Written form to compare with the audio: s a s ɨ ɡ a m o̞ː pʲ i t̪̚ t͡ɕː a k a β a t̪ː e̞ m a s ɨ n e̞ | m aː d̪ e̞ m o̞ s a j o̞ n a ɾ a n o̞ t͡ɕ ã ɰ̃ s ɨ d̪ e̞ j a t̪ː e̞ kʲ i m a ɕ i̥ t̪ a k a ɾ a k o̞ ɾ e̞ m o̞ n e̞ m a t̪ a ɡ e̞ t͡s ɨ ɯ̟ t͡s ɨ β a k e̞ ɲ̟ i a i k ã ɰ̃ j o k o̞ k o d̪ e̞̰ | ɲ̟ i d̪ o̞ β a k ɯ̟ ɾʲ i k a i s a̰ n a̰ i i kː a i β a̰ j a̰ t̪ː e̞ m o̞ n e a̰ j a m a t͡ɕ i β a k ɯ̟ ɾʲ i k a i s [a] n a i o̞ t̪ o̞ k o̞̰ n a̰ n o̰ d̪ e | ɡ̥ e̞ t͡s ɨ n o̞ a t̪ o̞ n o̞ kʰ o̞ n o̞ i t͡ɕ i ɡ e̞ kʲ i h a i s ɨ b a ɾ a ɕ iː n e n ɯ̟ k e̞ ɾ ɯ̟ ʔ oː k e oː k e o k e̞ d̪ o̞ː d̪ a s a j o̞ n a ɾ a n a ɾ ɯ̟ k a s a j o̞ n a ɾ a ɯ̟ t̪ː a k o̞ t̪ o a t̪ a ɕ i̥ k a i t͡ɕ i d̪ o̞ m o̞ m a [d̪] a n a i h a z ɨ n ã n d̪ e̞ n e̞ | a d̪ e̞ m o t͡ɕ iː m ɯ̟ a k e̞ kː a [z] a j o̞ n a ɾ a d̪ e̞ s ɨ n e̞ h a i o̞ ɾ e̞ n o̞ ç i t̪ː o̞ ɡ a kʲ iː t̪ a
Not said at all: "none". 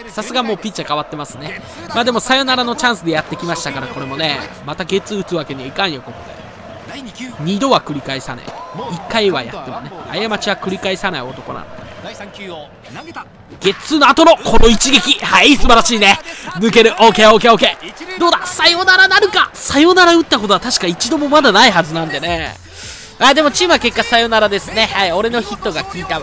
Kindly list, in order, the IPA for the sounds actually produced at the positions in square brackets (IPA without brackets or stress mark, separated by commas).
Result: a, d̪, s